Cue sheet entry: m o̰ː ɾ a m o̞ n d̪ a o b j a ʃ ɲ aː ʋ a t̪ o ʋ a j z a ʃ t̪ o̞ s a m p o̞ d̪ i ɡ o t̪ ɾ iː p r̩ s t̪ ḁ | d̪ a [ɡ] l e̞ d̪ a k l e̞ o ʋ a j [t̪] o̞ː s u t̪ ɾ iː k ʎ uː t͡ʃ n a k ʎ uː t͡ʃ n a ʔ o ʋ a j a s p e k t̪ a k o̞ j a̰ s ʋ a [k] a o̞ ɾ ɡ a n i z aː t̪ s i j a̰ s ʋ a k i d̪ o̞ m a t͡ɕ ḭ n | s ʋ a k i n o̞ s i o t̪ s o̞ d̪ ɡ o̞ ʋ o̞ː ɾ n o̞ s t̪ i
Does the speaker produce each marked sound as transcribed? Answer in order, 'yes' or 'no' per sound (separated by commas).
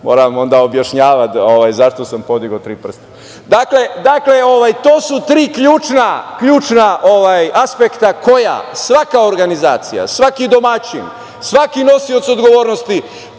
no, yes, yes